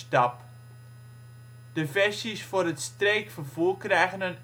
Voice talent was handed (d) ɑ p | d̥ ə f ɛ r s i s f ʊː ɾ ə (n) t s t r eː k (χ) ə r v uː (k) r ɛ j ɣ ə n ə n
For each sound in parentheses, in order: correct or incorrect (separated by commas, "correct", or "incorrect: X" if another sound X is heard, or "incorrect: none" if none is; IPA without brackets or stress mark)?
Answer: incorrect: t, incorrect: none, incorrect: f, correct